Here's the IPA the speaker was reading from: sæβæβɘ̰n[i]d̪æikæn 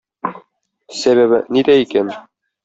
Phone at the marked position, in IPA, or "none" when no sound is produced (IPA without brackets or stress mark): i